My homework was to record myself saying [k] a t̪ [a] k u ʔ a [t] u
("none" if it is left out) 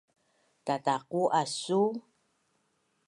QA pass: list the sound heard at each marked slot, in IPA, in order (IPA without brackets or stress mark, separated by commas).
t, a, s